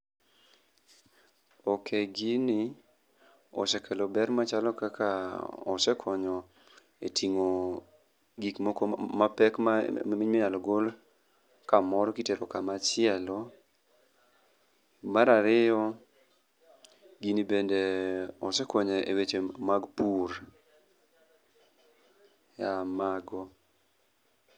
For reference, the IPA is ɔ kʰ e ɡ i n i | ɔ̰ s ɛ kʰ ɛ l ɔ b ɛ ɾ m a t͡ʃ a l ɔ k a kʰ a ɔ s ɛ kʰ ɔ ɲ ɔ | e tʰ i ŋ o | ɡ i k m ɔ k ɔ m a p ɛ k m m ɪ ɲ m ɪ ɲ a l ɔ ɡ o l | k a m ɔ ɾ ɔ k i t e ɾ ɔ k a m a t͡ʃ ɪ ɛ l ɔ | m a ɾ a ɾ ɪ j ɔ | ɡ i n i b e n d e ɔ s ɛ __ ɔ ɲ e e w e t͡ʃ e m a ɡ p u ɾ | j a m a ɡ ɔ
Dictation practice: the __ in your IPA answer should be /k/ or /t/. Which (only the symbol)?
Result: k